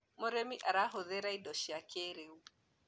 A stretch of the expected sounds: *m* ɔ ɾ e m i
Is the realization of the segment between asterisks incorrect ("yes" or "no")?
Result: no